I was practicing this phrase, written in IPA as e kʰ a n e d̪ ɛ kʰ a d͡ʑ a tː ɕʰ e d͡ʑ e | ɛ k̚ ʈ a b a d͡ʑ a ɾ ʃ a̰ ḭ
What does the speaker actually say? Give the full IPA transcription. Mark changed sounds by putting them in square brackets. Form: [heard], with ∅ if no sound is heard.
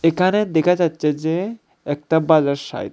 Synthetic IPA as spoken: e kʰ a n e d̪ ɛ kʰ a d͡ʑ a tː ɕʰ e d͡ʑ e | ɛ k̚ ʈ a b a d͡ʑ a ɾ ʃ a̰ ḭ

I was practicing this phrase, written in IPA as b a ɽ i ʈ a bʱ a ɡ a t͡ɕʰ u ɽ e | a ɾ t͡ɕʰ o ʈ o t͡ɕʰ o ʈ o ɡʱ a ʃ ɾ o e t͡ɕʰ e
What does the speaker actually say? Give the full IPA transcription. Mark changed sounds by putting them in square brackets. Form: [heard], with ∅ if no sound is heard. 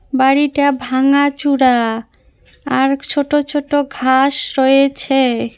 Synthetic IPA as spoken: b a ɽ i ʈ a bʱ a [ŋ] a [t͡ɕ] u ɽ [a] | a ɾ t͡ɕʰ o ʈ o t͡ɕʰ o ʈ o ɡʱ a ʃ ɾ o e t͡ɕʰ e

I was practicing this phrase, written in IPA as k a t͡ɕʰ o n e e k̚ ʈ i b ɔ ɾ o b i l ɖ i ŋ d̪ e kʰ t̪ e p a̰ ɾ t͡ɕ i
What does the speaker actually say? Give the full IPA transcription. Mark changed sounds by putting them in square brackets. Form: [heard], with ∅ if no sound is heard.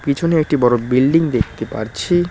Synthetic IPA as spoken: k [i] t͡ɕʰ o n e e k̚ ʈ i b ɔ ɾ o b i l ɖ i ŋ d̪ e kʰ t̪ e p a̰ ɾ [t͡ɕʰ] i

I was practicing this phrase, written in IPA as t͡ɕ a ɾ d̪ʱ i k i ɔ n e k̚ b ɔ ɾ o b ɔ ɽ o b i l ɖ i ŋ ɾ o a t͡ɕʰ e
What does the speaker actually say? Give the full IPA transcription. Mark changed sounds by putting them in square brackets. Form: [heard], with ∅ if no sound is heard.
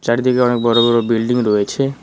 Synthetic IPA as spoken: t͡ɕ a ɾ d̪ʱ i k [e] ɔ n e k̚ b ɔ ɾ o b ɔ [ɾ] o b i l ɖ i ŋ ɾ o [e] t͡ɕʰ e

